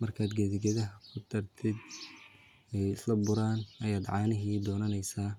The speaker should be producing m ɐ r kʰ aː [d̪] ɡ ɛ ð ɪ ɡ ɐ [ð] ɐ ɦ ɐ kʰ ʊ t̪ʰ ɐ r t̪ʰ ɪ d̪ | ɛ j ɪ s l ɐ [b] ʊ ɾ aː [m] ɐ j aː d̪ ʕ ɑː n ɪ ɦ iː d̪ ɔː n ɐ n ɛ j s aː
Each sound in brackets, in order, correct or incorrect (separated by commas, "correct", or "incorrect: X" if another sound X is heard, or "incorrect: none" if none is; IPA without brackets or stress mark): correct, correct, correct, incorrect: n